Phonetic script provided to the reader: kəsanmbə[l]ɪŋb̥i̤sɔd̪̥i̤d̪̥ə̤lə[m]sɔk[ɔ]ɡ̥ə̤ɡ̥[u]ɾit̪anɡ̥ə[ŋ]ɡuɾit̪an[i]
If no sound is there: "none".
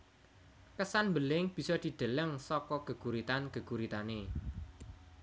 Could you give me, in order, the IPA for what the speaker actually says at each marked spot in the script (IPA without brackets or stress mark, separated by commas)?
l, ŋ, ɔ, u, none, e